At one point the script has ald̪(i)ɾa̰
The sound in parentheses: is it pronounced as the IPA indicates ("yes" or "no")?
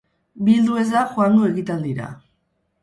yes